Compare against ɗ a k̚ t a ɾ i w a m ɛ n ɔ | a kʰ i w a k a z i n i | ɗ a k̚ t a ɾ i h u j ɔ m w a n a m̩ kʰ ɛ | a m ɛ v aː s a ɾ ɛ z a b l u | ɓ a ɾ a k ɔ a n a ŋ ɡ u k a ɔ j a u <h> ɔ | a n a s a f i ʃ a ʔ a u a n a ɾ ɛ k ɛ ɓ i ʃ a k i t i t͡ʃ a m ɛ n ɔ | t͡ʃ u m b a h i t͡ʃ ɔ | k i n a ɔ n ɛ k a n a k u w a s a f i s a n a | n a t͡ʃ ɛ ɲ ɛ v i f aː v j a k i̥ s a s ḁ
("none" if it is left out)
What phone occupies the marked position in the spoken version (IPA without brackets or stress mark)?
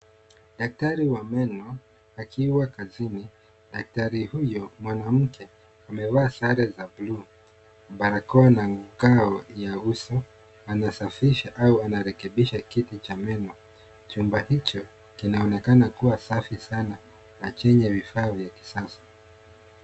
s